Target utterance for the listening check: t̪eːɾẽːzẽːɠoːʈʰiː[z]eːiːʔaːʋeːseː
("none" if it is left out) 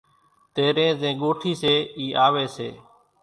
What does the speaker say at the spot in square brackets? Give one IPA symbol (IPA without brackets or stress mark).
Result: s